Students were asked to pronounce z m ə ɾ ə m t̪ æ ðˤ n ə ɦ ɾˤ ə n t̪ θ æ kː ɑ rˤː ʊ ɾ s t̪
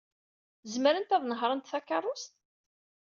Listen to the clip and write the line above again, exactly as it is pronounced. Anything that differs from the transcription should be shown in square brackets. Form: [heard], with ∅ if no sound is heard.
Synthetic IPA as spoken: z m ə ɾ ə [n] t̪ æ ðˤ n ə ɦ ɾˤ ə n t̪ θ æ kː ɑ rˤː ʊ [∅] s t̪